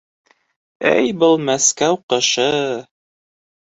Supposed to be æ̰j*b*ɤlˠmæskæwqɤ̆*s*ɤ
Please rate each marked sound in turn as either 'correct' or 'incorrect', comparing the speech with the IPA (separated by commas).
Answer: correct, incorrect